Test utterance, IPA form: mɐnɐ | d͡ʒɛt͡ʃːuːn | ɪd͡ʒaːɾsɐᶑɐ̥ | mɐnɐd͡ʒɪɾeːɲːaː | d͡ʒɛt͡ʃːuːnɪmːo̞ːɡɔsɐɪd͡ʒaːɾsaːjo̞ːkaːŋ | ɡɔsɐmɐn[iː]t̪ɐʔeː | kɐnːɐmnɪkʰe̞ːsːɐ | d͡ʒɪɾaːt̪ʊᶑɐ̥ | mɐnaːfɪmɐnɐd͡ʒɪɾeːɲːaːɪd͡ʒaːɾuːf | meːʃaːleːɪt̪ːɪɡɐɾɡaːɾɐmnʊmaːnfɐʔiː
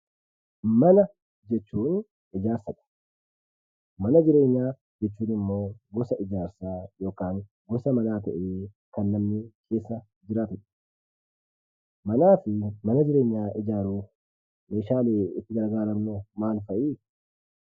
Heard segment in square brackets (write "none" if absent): aː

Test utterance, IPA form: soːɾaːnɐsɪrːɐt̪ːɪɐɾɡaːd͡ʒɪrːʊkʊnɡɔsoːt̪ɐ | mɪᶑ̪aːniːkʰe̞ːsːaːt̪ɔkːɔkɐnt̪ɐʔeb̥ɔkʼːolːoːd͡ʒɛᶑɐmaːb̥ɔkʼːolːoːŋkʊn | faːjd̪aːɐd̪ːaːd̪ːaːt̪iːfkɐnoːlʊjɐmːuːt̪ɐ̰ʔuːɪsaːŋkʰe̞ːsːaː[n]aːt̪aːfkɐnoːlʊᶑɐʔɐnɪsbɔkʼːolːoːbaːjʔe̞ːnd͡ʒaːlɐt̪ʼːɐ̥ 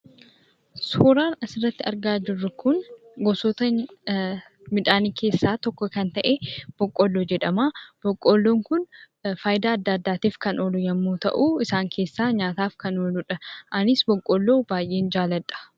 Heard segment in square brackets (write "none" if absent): ɲ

